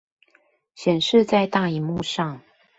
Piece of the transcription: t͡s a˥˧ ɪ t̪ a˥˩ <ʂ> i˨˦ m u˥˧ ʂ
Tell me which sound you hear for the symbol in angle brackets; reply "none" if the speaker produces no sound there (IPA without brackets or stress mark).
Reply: none